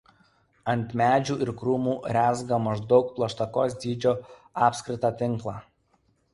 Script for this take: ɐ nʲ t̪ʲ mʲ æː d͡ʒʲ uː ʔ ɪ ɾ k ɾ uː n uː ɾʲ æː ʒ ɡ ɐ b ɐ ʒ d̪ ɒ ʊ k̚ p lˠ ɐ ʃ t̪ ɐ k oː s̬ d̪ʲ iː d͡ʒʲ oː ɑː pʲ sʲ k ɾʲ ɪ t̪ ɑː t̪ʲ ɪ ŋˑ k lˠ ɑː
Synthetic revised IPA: ɐ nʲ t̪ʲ mʲ æː d͡ʒʲ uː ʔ ɪ ɾ k ɾ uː m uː ɾʲ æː z ɡ ɐ m ɐ ʒ d̪ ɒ ʊ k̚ p lˠ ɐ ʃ t̪ ɐ k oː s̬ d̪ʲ iː d͡ʒʲ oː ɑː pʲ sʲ k ɾʲ ɪ t̪ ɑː t̪ʲ ɪ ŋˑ k lˠ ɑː